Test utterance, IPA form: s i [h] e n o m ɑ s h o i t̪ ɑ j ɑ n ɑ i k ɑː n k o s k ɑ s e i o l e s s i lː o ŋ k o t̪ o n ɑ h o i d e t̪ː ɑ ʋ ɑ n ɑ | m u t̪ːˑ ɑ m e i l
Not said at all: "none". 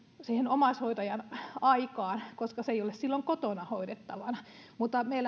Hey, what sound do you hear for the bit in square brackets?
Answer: h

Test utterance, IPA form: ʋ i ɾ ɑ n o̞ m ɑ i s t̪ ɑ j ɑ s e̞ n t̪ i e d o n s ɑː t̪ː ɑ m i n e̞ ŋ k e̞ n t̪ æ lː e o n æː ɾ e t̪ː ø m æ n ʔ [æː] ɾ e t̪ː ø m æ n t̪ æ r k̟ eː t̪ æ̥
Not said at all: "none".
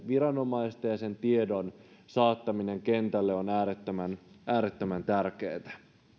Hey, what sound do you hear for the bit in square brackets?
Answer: æː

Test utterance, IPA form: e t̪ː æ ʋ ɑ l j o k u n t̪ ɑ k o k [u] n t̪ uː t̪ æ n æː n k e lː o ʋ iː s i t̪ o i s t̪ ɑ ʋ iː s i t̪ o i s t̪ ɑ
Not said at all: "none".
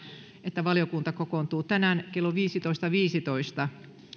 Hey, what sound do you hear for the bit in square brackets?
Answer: o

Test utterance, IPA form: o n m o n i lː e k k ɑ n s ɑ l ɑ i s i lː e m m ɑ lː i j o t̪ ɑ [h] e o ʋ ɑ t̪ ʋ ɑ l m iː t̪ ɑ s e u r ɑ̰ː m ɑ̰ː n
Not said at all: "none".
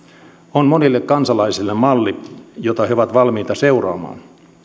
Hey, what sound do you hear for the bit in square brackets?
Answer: h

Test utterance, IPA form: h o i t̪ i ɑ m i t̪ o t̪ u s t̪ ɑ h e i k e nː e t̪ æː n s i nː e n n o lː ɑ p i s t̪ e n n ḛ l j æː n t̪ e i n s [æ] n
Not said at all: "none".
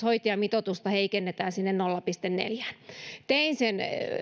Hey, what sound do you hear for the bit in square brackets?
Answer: e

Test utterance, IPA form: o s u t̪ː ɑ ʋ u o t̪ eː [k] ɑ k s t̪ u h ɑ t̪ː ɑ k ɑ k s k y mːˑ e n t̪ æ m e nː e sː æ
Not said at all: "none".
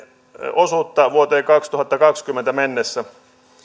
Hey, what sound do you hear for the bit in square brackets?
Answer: k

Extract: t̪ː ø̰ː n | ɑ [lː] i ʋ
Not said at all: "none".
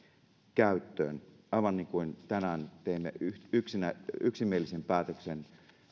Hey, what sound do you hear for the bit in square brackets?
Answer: none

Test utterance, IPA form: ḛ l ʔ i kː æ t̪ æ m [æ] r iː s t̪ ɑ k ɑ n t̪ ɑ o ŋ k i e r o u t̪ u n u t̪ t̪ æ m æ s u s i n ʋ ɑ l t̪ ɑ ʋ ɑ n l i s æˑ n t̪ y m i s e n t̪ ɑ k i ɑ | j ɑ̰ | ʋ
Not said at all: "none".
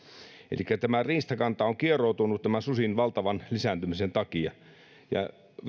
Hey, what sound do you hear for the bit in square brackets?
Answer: æ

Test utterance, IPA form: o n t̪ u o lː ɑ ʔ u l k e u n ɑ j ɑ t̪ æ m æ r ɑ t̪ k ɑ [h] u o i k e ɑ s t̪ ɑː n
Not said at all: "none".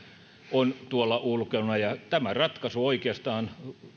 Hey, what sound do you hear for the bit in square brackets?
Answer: s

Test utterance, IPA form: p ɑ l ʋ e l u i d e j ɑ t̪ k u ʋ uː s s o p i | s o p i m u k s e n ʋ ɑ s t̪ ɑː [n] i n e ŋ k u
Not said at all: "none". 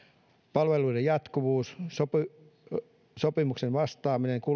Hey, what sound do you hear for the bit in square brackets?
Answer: m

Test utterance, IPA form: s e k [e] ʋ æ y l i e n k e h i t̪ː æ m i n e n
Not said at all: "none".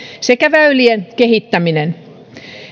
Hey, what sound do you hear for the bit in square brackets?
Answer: æ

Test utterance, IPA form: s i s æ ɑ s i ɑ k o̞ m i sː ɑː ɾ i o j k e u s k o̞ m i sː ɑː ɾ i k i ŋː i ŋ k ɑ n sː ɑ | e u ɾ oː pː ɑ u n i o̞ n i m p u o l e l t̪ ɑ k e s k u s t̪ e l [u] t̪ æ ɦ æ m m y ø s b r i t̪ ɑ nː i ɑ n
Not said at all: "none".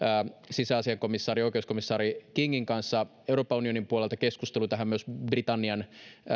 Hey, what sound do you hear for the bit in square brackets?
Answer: u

